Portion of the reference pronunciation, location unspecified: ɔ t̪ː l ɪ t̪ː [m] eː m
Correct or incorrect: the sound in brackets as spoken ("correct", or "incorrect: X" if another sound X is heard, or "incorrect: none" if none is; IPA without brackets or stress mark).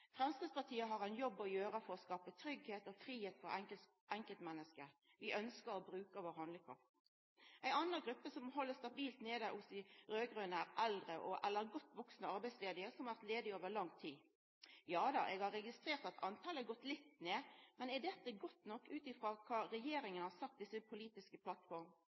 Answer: incorrect: n